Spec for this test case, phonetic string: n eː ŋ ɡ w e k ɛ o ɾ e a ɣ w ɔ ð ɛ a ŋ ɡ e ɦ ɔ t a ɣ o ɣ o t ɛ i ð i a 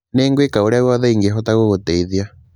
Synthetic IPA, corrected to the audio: n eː ŋ ɡ w e k a o ɾ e a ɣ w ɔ ð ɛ i ŋ ɡ e ɦ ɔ t a ɣ o ɣ o t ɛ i ð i a

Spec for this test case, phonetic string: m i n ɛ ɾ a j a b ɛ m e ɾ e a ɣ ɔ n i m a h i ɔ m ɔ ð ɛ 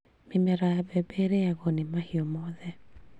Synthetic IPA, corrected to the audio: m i m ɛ ɾ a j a b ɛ b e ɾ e a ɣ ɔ n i m a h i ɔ m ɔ ð ɛ

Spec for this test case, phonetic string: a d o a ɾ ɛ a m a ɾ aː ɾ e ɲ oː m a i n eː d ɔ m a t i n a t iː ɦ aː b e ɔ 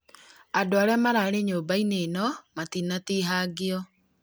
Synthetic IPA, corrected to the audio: a d o a ɾ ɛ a m a ɾ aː ɾ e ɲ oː b a i n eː n ɔ m a t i n a t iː ɦ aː ɡ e ɔ

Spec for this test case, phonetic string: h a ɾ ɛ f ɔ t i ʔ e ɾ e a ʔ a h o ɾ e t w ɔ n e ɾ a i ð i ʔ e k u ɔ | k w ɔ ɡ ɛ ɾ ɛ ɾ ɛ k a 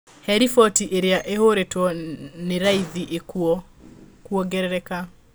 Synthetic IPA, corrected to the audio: h ɛ ɾ i f ɔ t i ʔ e ɾ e a ʔ e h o ɾ e t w ɔ n e ɾ a i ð i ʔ e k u ɔ | k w ɔ ɡ ɛ ɾ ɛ ɾ ɛ k a

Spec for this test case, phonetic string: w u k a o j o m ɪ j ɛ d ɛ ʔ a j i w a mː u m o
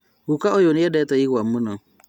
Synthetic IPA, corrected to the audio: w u k a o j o n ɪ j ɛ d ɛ t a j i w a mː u n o

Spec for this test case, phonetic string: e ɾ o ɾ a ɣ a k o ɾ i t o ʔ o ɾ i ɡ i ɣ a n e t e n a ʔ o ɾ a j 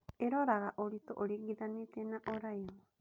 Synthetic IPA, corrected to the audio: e ɾ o ɾ a ɣ a ʔ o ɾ i t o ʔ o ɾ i ɡ i ð a n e t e n a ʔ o ɾ a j

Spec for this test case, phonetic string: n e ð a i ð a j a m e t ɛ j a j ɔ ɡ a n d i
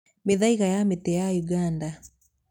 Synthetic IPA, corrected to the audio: m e ð a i ɣ a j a m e t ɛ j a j u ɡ a n d a

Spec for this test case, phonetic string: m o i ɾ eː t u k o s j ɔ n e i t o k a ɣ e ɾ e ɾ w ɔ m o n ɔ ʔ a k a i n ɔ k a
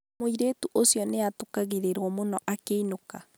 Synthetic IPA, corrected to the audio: m o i ɾ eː t u ʔ o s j ɔ n e a t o k a ɣ e ɾ e ɾ w ɔ m o n ɔ ʔ a k e i n o k a

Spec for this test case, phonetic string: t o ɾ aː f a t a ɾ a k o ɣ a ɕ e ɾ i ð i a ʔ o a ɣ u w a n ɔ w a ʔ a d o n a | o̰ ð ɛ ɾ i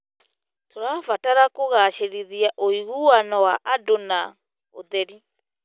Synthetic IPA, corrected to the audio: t o ɾ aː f a t a ɾ a k o ɣ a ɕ e ɾ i ð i a ʔ o i ɣ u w a n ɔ w a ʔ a d o n a | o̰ ð ɛ ɾ i

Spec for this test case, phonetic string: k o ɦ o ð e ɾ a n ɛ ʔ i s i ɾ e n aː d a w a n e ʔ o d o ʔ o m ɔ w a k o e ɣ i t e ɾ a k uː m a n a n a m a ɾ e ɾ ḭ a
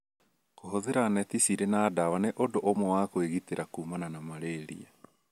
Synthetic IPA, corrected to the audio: k o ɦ o ð e ɾ a n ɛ t i s i ɾ e n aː d a w a n e ʔ o d o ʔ o m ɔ w a k o e ɣ i t e ɾ a k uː m a n a n a m a ɾ e ɾ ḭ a

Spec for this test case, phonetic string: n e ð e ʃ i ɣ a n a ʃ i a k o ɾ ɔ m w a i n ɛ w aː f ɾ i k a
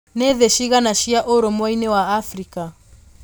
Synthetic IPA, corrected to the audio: n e ð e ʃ i ɣ a n a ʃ i a ʔ o ɾ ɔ m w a i n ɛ w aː f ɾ i k a

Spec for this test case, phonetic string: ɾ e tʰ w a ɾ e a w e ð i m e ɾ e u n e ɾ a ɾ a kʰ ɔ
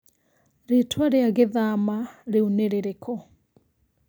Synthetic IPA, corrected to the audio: ɾ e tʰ w a ɾ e a ɣ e ð a m a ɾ e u n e ɾ e ɾ e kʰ ɔ

